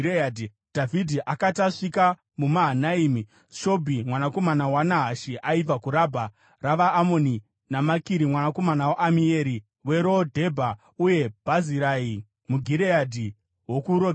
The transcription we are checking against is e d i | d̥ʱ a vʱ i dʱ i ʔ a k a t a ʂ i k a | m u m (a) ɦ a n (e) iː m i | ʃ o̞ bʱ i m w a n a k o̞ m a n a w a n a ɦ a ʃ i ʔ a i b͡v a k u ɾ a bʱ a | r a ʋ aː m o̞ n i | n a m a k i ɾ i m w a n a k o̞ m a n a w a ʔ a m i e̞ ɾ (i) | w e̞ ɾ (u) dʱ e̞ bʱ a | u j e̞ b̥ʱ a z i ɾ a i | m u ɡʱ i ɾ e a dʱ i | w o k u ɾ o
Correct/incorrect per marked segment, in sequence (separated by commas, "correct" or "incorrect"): correct, incorrect, correct, incorrect